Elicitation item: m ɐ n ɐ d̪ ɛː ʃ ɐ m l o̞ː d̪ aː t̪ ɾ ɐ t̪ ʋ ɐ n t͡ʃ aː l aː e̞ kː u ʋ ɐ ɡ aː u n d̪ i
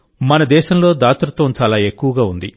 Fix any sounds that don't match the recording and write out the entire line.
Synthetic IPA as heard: m ɐ n ɐ d̪ ɛː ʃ ɐ m l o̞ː d̪ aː t̪ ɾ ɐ t̪ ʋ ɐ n t͡ʃ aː l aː e̞ kː u ʋ ɐ ɡ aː u n d̪ i